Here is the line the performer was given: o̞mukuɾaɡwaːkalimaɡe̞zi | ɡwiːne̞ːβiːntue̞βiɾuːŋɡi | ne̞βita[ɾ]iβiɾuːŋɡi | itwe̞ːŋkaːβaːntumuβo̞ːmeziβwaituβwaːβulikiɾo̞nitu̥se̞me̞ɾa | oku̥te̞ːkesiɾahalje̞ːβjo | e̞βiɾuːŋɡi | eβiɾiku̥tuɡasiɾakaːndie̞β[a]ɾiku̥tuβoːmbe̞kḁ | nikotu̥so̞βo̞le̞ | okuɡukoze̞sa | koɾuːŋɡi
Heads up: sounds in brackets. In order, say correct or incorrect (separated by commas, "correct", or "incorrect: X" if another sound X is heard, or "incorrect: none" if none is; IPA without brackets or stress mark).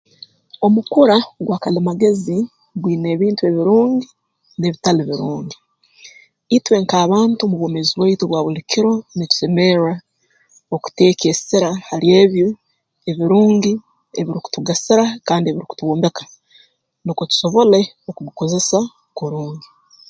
incorrect: l, incorrect: i